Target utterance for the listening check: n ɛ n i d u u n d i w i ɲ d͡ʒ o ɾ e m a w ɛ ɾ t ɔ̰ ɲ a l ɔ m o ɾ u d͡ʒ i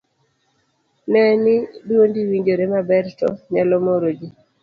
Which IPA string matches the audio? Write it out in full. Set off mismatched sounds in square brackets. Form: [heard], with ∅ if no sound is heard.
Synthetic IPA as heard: n ɛ n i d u [o] n d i w i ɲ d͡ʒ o ɾ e m a [b] ɛ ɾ t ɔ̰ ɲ a l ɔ m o ɾ [o] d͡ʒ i